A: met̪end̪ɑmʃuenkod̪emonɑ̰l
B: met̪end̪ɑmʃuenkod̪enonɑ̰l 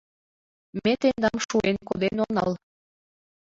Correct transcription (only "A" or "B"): B